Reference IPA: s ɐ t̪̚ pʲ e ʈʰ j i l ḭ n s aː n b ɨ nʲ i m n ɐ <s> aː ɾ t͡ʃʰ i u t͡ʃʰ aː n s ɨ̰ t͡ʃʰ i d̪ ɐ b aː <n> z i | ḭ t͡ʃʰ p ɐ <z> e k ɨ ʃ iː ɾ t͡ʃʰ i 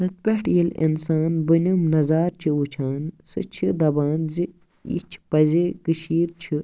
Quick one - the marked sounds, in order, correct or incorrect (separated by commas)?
incorrect, correct, correct